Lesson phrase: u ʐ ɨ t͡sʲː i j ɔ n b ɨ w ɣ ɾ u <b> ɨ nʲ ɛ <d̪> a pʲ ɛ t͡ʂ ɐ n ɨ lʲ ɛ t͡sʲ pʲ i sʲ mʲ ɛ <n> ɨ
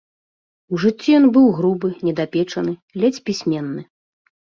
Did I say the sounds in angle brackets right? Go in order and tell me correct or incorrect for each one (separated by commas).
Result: correct, correct, incorrect